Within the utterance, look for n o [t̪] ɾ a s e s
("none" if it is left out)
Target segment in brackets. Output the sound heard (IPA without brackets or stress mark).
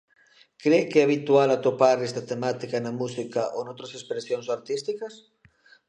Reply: t̪